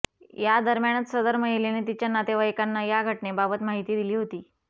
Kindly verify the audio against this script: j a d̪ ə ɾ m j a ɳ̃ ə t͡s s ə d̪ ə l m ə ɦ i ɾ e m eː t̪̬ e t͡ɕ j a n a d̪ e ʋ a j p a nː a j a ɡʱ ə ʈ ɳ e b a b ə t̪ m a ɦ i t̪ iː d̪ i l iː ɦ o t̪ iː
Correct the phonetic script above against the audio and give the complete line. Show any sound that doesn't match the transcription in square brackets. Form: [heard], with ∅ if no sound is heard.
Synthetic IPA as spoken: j a d̪ ə ɾ m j a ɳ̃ ə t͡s s ə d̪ ə [ɾ] m ə ɦ i [l] e [n] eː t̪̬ [i] t͡ɕ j a n a [t̪] e ʋ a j [k] a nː a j a ɡʱ ə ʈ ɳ e b a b ə t̪ m a ɦ i t̪ iː d̪ i l iː ɦ o t̪ iː